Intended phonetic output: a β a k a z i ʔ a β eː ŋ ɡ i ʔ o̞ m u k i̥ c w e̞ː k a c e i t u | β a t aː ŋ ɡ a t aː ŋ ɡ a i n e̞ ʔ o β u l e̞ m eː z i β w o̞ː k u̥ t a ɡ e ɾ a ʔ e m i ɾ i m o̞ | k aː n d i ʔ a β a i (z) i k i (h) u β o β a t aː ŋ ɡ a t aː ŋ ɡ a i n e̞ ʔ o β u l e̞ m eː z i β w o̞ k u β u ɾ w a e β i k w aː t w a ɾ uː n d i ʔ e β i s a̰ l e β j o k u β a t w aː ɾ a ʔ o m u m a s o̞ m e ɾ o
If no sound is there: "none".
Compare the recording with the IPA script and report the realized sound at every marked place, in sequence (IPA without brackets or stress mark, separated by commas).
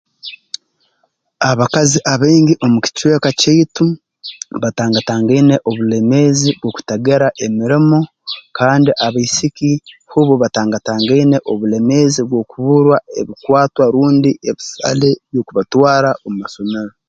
s, h